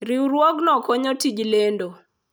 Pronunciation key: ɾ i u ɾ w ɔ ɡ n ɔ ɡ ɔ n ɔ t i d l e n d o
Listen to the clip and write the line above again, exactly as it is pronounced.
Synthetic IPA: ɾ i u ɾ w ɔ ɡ n ɔ k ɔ ɲ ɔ t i d͡ʒ l e n d o

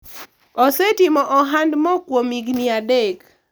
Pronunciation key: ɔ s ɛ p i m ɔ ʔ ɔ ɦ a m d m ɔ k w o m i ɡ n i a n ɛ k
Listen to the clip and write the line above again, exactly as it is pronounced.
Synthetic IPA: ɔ s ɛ t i m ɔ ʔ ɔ ɦ a n d m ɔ k w o m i ɡ n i a d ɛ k

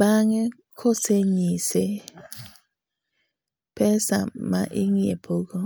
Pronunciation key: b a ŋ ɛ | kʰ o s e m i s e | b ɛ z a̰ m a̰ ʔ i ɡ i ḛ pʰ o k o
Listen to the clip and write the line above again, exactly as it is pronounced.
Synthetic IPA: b a ŋ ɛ | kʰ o s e ɲ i s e | p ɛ s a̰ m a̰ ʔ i ŋ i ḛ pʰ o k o

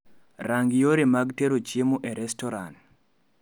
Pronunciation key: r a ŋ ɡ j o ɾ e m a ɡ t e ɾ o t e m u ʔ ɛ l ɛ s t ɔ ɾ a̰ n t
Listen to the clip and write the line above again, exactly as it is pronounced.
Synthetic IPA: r a ŋ ɡ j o ɾ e m a ɡ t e ɾ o t͡ʃ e m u ʔ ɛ ɾ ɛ s t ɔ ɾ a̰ n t

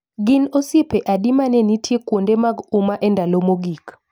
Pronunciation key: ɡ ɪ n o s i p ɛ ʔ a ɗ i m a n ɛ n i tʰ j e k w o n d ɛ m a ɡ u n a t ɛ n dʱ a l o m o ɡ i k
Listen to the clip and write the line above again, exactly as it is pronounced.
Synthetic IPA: ɡ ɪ n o s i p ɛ ʔ a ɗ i m a n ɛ n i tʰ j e k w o n d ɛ m a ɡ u m a ʔ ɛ n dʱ a l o m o ɡ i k

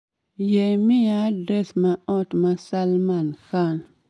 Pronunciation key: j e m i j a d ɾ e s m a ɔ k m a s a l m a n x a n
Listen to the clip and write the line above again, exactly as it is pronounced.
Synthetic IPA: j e m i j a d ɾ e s m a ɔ t m a s a l m a n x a n

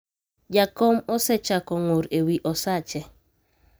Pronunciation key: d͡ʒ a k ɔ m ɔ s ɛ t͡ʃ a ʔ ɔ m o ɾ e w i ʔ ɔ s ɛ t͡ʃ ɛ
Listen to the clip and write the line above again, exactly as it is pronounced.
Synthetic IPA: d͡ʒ a k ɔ m ɔ s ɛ t͡ʃ a k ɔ ŋ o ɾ e w i ʔ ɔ s a t͡ʃ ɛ

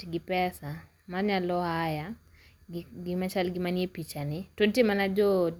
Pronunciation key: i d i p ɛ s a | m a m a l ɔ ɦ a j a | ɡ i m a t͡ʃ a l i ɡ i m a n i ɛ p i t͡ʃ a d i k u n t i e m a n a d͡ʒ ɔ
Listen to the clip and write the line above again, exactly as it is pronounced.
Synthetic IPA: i ɡ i p ɛ s a | m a ɲ a l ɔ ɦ a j a | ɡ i m a t͡ʃ a l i ɡ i m a n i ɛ p i t͡ʃ a n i t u n t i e m a n a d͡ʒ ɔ

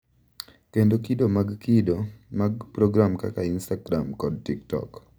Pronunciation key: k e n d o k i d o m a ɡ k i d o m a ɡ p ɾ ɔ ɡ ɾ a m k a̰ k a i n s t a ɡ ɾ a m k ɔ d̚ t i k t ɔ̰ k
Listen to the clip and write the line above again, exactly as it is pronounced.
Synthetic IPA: k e n d o k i d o m a ɡ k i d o m a ɡ p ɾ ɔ ɡ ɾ a m k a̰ k a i n s t a ɡ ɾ a m k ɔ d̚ t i k t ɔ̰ k

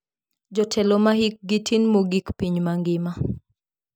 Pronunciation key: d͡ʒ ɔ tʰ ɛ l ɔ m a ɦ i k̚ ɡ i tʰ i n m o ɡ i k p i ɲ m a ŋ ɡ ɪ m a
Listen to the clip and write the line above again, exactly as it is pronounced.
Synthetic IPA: d͡ʒ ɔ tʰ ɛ l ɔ m a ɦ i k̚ ɡ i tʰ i n m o ɡ i k p i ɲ m a ŋ ɡ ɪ m a

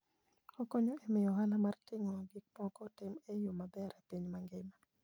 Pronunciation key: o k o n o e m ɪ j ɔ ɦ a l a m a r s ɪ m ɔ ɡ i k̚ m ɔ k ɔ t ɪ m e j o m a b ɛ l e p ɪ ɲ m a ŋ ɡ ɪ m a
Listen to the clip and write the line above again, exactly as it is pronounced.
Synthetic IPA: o k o ɲ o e m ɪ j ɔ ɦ a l a m a r t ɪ ŋ ɔ ɡ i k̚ m ɔ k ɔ t ɪ m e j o m a b ɛ ɾ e p i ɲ m a ŋ ɡ ɪ m a

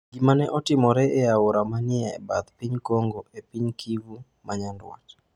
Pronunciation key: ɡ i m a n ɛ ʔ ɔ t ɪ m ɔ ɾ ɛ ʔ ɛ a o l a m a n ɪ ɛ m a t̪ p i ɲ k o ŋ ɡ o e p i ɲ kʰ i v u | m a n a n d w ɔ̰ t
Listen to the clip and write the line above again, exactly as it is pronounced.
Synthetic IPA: ɡ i m a n ɛ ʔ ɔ t ɪ m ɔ ɾ ɛ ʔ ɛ a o ɾ a m a n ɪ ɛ b a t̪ p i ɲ k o ŋ ɡ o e p i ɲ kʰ i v u | m a ɲ a n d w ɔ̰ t

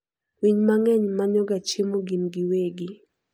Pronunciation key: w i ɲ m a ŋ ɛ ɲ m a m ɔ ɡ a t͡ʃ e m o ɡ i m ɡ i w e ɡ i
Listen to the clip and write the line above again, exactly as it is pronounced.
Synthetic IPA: w i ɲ m a ŋ ɛ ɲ m a ɲ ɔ ɡ a t͡ʃ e m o ɡ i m ɡ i w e ɡ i

